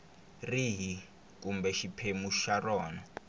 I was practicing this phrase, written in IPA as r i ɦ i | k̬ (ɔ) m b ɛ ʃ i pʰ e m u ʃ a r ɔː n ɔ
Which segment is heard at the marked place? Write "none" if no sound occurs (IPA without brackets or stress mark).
u